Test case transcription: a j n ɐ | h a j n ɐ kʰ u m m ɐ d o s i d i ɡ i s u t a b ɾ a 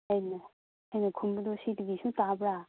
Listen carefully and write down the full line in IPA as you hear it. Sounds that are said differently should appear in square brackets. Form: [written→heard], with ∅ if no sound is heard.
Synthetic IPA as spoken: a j n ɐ | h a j n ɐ kʰ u m [m→b] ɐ d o s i d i ɡ i s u t a b ɾ a